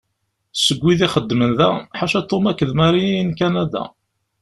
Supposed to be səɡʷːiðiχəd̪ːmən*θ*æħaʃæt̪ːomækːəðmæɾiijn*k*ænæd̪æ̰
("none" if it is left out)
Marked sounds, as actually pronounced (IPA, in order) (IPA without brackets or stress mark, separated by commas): ð, k